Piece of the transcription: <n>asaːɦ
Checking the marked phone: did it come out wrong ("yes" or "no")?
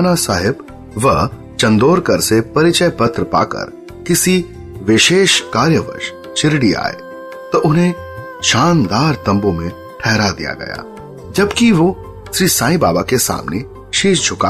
no